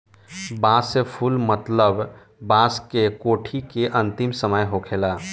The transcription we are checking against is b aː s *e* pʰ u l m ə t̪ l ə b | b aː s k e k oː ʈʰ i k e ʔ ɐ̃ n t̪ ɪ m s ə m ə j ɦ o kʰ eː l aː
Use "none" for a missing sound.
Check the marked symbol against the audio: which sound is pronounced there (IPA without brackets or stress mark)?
e